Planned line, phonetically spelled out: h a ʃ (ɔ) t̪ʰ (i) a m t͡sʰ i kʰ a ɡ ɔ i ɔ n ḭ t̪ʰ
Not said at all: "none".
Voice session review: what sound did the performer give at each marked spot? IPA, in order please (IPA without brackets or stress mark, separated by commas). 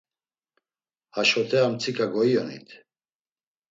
ɔ, ɛ